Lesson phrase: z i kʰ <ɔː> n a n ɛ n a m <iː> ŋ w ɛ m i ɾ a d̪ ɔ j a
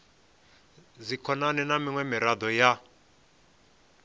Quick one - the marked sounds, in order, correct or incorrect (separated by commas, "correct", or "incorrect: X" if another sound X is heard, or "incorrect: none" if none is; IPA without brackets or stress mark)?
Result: incorrect: ɔ, incorrect: i